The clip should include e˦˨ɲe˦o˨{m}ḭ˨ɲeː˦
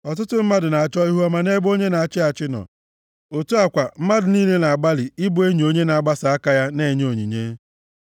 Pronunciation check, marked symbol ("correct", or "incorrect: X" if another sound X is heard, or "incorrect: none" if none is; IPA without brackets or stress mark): incorrect: ɲ